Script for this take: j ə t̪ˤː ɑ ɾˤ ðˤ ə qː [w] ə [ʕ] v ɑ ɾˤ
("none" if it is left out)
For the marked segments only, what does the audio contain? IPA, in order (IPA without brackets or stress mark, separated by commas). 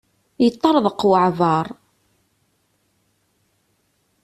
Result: w, ʕ